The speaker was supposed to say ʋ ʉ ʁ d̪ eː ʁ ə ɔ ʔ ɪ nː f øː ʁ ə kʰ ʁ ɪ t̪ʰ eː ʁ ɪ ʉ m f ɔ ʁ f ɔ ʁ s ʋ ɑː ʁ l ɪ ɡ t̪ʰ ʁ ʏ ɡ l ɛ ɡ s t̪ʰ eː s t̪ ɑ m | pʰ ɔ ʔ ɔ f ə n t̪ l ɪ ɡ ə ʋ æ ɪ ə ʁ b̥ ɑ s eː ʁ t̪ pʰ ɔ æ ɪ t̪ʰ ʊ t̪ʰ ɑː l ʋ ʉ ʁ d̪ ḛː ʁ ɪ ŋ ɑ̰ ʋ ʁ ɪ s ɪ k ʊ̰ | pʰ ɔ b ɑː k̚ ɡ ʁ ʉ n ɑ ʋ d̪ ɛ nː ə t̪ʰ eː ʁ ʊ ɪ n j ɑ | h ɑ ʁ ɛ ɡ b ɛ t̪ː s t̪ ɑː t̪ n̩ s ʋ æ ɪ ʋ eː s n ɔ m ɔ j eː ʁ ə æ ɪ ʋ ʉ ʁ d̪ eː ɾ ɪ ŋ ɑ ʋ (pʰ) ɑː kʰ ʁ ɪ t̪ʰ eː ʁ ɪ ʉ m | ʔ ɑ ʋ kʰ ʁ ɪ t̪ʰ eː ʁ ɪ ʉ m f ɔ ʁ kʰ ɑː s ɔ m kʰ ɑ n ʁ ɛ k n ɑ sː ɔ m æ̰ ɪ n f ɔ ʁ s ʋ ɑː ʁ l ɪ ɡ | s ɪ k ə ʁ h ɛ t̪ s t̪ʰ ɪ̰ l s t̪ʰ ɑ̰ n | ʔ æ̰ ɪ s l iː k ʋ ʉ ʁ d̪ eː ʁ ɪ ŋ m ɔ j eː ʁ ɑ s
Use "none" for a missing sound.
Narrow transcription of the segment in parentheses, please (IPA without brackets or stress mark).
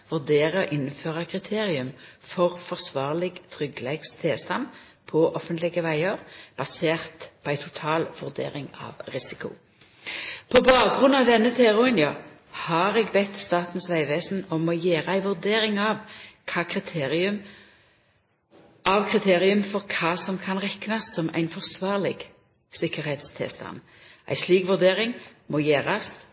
kʰ